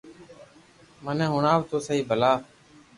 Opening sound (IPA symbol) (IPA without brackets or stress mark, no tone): m